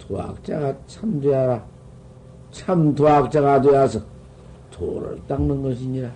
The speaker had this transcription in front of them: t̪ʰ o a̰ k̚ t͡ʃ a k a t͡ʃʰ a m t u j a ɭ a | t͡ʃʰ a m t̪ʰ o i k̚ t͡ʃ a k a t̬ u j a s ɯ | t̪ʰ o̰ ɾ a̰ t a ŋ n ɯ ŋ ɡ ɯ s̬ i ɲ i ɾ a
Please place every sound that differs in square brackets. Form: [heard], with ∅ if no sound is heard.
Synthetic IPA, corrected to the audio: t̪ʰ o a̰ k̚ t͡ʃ a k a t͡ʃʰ a m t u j a [ɾ] a | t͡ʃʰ a m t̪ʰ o [a] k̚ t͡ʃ a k a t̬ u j a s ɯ | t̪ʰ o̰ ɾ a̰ t a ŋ n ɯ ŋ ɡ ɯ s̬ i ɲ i ɾ a